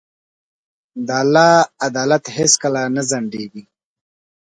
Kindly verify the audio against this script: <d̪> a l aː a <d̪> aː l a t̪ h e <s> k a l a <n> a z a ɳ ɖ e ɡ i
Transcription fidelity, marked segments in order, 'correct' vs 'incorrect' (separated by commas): correct, correct, correct, correct